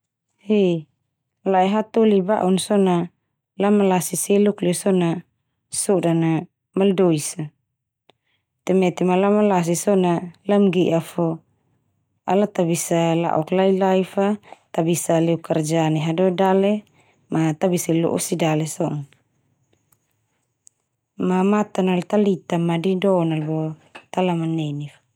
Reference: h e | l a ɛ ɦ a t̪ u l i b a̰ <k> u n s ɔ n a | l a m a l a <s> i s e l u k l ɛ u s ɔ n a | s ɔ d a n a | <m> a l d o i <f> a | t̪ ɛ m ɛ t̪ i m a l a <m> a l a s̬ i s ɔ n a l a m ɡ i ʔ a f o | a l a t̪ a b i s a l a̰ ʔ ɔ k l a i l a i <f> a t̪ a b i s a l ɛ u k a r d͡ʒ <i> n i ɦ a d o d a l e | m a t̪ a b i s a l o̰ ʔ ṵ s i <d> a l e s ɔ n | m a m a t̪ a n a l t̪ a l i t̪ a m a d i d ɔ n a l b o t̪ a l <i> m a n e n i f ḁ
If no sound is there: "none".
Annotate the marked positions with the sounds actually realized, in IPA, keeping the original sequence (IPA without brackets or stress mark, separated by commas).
ʔ, s, m, s, m, f, a, d, a